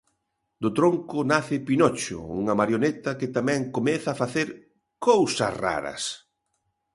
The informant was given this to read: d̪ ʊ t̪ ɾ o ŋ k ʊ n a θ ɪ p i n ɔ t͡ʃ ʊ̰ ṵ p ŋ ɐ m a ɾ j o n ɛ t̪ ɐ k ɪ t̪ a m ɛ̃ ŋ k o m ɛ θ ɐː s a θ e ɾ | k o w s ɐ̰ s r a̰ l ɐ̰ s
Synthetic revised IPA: d̪ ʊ t̪ ɾ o ŋ k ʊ n a θ ɪ p i n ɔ t͡ʃ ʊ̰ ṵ ŋ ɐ m a ɾ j o n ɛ t̪ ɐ k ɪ t̪ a m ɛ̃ ŋ k o m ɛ θ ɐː f a θ e ɾ | k o w s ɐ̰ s r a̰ ɾ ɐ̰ s